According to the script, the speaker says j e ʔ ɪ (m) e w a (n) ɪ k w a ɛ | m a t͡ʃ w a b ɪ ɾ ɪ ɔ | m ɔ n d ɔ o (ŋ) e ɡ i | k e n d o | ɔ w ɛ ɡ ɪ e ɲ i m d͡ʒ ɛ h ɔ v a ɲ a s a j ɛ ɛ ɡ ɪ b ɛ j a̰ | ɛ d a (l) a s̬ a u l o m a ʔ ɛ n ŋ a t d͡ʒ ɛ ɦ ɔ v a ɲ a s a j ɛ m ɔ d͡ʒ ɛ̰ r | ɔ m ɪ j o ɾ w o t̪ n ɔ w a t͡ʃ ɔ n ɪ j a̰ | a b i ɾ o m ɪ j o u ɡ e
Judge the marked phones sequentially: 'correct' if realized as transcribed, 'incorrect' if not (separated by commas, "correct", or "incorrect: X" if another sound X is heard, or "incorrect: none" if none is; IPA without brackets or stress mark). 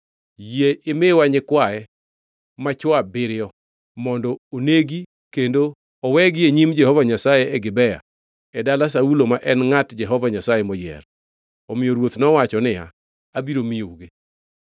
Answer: correct, incorrect: ɲ, incorrect: n, correct